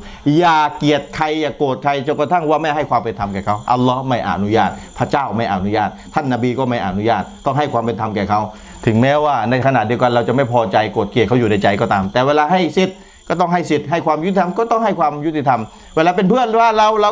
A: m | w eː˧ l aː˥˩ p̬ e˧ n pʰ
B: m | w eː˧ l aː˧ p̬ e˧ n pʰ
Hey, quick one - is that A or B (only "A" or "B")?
B